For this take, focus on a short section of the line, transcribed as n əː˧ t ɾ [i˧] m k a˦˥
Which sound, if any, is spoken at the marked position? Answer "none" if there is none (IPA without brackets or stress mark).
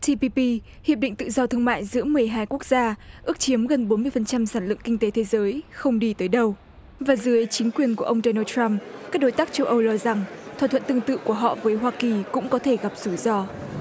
a˧